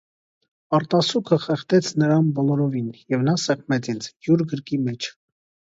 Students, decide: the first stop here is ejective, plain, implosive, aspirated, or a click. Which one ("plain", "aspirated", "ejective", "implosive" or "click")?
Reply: plain